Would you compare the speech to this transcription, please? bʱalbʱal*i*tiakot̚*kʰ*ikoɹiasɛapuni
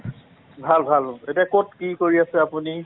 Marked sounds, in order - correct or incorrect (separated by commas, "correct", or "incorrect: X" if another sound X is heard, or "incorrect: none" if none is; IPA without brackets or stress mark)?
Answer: incorrect: e, incorrect: k